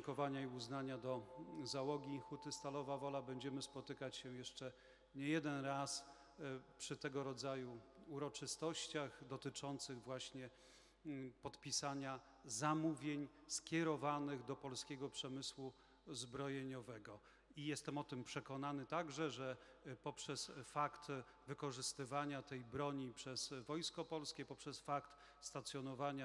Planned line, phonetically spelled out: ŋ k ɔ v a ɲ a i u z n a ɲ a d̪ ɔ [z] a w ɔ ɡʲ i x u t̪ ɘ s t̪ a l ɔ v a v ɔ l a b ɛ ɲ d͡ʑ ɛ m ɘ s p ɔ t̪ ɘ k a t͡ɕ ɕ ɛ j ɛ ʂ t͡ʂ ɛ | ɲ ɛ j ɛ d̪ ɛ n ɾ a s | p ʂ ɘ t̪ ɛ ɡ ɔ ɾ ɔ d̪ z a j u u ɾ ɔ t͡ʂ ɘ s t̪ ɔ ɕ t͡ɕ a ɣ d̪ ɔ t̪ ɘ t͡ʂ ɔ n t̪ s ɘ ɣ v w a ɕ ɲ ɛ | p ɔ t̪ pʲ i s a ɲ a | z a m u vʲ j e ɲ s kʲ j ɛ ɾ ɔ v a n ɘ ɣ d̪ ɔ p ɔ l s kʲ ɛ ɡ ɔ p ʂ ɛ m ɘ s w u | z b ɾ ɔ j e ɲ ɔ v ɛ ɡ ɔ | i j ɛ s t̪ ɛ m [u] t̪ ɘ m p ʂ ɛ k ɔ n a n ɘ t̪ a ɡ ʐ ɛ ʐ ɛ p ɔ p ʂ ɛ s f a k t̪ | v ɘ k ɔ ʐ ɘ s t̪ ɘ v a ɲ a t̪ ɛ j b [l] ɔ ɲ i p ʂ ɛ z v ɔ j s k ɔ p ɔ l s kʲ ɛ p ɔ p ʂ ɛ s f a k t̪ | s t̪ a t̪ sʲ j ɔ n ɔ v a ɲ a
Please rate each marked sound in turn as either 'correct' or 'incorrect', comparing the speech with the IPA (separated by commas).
correct, incorrect, incorrect